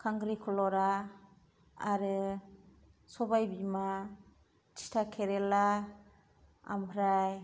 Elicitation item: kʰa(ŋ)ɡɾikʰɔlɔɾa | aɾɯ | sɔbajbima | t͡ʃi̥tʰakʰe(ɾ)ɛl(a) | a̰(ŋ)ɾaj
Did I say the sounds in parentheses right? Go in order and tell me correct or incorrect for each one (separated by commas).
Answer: correct, correct, correct, incorrect